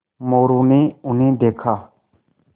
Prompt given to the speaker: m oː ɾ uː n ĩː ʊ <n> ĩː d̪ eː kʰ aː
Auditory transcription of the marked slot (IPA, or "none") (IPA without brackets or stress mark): n